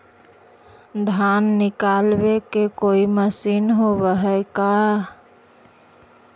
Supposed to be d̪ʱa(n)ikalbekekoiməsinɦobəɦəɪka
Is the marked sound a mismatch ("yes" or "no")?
yes